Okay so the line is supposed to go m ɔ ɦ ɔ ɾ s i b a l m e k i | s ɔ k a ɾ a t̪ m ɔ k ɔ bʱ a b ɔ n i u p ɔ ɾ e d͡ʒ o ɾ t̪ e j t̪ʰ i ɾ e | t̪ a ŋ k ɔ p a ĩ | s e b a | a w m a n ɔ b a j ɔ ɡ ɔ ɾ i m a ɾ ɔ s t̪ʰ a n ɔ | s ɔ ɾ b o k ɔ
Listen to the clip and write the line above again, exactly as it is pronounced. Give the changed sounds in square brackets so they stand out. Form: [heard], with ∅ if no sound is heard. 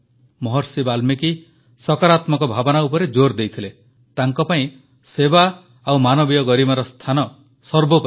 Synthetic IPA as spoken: m ɔ ɦ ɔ ɾ s i b a l m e k i | s ɔ k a ɾ a t̪ m ɔ k ɔ bʱ a b ɔ n [a] u p ɔ ɾ e d͡ʒ o ɾ [d̪] e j t̪ʰ i [l] e | t̪ a ŋ k ɔ p a ĩ | s e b a | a w m a n ɔ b [i] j ɔ ɡ ɔ ɾ i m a ɾ ɔ s t̪ʰ a n ɔ | s ɔ ɾ b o [p] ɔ